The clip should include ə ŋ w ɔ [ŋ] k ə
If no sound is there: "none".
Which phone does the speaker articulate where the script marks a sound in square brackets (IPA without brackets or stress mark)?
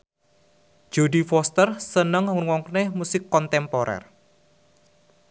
ŋ